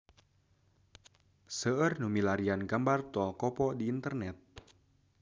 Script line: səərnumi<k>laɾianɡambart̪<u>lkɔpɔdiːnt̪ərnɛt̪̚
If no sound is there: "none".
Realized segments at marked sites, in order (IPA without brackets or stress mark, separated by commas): none, ɔ